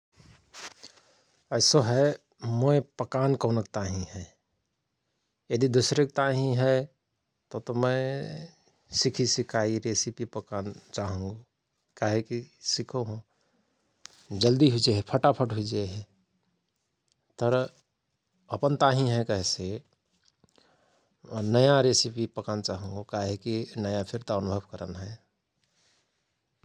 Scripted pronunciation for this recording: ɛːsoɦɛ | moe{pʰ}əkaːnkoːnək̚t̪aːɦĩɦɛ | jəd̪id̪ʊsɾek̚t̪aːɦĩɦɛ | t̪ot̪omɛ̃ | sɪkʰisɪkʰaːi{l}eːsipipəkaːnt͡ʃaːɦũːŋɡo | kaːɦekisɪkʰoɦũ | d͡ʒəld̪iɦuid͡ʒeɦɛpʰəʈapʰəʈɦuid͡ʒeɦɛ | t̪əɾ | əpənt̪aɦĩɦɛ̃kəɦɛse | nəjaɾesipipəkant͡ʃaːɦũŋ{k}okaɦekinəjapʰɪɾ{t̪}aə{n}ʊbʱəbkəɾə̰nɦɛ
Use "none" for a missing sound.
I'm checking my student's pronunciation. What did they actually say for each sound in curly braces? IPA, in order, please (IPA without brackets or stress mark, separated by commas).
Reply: p, ɾ, ɡ, t̪, n